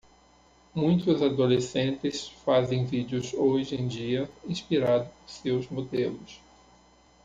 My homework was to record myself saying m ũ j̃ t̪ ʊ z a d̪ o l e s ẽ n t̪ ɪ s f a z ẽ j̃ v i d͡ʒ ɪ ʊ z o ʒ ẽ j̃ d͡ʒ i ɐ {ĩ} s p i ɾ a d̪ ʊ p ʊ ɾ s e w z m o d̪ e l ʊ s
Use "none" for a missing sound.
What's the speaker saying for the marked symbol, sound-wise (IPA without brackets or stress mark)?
ĩ